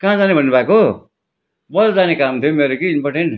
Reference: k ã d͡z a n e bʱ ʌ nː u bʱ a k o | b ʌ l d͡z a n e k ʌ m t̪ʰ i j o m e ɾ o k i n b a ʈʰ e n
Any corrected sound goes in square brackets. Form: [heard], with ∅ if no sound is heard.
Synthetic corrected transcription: k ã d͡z a n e bʱ ʌ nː u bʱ a k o | b ʌ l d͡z a n e k [a] m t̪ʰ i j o m e ɾ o k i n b [ʌ] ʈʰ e n